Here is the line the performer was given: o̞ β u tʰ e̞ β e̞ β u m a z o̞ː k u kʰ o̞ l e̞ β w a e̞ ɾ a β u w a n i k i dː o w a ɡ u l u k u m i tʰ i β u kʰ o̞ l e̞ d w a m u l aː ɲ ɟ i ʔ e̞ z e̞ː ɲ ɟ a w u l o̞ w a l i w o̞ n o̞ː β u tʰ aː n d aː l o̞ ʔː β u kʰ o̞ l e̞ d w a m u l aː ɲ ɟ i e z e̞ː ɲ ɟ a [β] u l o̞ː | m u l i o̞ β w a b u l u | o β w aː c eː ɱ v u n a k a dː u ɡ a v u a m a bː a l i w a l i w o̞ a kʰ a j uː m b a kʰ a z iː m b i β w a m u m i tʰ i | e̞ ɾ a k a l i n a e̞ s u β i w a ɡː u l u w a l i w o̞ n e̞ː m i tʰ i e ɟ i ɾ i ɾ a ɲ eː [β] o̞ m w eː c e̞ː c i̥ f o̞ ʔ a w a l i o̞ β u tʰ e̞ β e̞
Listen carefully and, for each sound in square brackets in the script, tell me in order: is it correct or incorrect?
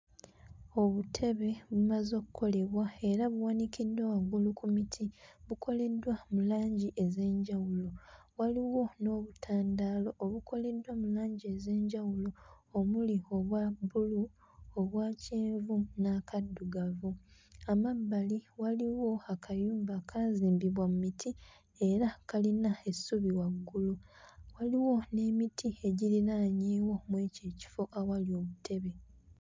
incorrect, incorrect

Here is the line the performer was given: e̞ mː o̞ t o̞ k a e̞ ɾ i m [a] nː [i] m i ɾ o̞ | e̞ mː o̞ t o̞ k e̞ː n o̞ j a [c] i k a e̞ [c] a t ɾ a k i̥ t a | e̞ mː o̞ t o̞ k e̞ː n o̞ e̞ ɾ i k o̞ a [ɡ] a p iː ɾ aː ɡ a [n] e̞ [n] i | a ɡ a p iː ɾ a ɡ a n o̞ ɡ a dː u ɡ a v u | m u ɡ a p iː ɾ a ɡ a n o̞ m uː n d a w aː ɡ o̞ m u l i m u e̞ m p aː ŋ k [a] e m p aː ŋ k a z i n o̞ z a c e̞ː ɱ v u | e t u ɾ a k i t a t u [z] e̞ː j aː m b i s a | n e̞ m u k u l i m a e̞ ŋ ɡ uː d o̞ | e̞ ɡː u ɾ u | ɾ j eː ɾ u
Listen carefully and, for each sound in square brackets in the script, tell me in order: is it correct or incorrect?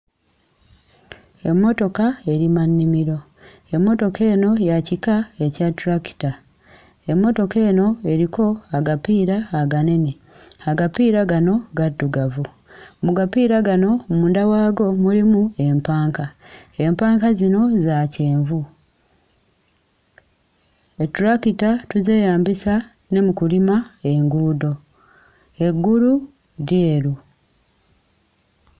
correct, correct, correct, correct, correct, correct, correct, correct, correct

